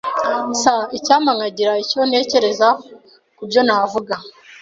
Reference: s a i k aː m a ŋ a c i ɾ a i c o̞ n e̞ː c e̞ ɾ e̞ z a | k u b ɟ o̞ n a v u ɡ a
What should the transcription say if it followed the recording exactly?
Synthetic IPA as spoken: s a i c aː m a ŋ a ɟ i ɾ a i c o̞ n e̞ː c e̞ ɾ e̞ z a | k u b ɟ o̞ n a v u ɡ a